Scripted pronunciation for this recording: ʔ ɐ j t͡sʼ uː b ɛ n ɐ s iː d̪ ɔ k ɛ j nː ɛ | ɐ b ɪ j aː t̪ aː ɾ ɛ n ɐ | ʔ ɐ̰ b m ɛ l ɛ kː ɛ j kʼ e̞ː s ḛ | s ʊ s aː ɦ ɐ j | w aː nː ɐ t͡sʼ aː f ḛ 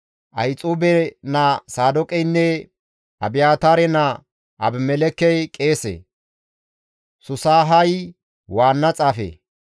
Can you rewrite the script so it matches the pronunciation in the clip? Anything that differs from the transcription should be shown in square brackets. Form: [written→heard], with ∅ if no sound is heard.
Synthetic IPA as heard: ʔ ɐ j t͡sʼ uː b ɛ n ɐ s [iː→aː] d̪ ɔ [k→kʼ] ɛ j nː ɛ | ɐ b ɪ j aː t̪ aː ɾ ɛ n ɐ | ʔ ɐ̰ b m ɛ l ɛ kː ɛ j kʼ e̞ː s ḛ | s ʊ s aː ɦ ɐ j | w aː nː ɐ t͡sʼ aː f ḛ